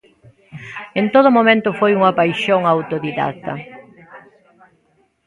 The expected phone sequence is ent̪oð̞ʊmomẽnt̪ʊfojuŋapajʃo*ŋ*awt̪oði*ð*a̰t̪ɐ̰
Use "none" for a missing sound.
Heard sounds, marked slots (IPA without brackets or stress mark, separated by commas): ŋ, ð